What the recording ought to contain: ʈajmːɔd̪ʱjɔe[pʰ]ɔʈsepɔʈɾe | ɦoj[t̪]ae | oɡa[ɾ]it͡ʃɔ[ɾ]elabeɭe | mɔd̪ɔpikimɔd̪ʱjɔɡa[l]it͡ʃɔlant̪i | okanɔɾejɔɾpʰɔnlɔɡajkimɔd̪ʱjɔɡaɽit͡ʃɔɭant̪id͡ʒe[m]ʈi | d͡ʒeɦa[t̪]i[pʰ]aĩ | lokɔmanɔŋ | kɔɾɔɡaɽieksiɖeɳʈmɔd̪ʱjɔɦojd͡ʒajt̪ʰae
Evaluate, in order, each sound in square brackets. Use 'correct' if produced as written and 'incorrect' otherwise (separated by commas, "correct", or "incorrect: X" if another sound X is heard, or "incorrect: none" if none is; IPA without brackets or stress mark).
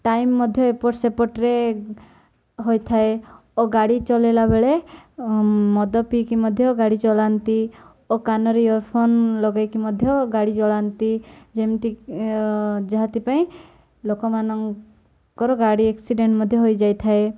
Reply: incorrect: p, incorrect: t̪ʰ, incorrect: ɽ, incorrect: l, incorrect: ɽ, correct, correct, incorrect: p